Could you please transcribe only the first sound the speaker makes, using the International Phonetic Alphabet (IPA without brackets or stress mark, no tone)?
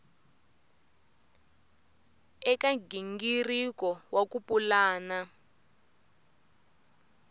ɛ